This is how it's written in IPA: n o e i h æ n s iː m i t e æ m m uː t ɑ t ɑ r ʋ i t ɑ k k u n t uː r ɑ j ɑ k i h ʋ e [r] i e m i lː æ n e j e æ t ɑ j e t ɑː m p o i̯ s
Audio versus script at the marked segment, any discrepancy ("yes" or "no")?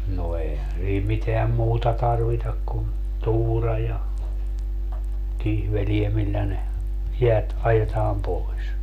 yes